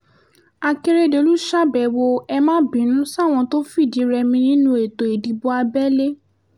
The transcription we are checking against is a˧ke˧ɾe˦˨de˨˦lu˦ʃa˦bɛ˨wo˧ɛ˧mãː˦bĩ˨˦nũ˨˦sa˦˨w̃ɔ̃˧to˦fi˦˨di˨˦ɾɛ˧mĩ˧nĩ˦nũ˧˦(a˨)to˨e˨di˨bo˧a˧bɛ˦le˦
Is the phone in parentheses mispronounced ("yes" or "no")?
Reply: yes